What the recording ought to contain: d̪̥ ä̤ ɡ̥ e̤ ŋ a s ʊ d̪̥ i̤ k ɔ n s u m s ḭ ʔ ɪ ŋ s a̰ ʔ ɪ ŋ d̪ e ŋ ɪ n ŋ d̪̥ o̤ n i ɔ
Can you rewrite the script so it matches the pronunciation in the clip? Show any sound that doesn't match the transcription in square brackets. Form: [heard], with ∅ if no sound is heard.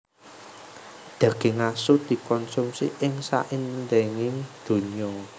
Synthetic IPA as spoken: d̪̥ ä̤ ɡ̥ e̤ ŋ a s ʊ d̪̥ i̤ k ɔ n s u m s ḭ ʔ ɪ ŋ s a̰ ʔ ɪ [n] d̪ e ŋ ɪ [∅] ŋ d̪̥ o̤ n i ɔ